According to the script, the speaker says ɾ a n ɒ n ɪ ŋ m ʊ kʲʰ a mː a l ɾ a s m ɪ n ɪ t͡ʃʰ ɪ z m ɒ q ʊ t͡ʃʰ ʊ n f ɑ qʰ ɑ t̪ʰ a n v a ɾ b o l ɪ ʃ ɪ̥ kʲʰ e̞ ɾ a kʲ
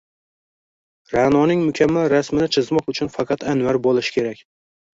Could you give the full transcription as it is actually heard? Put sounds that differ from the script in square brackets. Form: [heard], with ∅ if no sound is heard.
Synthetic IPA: ɾ a n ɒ n ɪ ŋ m ʊ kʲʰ a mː a l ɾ a s m ɪ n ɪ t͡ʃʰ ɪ z m ɒ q ʊ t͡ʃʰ ʊ n f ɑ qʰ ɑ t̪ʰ a n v a ɾ b o l ɪ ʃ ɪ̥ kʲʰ e̞ ɾ a kʲ